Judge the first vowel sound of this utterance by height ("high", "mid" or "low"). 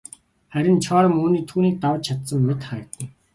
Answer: low